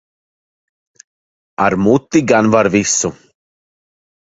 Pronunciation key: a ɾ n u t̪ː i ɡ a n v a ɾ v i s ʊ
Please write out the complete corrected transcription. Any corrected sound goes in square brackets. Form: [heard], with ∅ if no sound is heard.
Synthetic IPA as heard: a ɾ [m] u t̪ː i ɡ a n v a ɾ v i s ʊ